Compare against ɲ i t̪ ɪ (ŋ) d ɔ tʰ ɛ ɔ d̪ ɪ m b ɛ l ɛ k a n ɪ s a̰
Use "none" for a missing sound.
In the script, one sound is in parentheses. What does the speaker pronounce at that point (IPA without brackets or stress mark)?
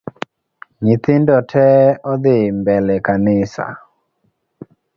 n